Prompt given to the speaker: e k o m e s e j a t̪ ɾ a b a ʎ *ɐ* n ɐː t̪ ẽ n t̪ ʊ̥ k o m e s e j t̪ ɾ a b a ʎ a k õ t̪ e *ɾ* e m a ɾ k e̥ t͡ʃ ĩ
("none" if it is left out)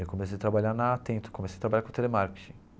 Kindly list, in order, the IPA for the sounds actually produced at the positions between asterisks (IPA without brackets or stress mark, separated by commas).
a, l